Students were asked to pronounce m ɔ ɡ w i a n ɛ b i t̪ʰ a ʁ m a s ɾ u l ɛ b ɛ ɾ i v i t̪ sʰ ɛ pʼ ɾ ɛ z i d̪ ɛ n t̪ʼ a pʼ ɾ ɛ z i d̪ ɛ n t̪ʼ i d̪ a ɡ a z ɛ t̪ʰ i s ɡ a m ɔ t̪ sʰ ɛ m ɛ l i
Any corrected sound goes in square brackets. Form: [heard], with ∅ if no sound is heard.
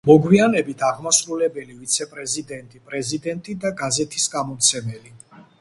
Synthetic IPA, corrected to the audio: m ɔ ɡ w i a n ɛ b i t̪ʰ a ʁ m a s ɾ u l ɛ b ɛ [l] i v i t̪ sʰ ɛ pʼ ɾ ɛ z i d̪ ɛ n t̪ʼ [i] pʼ ɾ ɛ z i d̪ ɛ n t̪ʼ i d̪ a ɡ a z ɛ t̪ʰ i s ɡ a m ɔ t̪ sʰ ɛ m ɛ l i